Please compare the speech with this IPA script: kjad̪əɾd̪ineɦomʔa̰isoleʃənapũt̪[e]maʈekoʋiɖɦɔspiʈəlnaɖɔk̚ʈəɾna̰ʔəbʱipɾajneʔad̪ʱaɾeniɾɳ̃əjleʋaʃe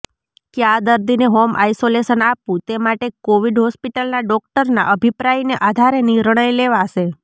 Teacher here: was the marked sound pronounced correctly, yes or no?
yes